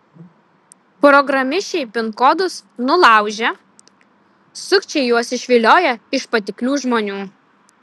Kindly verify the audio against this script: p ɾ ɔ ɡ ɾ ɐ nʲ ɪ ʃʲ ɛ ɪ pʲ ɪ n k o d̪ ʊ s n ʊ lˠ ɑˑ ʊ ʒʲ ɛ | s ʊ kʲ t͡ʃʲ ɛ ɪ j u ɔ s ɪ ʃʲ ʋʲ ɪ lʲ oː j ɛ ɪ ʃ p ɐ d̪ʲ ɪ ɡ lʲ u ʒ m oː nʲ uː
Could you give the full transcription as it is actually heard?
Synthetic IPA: p ɾ ɔ ɡ ɾ ɐ mʲ ɪ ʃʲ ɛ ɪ pʲ ɪ n k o d̪ ʊ s n ʊ lˠ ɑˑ ʊ ʒʲ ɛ | s ʊ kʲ t͡ʃʲ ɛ ɪ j u ɔ s ɪ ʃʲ ʋʲ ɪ lʲ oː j ɛ ɪ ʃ p ɐ t̪ʲ ɪ k lʲ uː ʒ m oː nʲ uː